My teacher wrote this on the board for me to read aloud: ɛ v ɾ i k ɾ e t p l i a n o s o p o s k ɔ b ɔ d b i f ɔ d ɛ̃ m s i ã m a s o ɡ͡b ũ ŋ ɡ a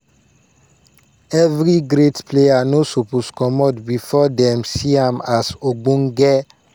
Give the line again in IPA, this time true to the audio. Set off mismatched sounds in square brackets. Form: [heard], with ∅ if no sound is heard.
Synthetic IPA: ɛ v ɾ i [ɡ] ɾ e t p l [e] a n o s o p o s k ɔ [m] ɔ d b i f ɔ d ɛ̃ m s i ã m a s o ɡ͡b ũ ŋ ɡ [ɛ]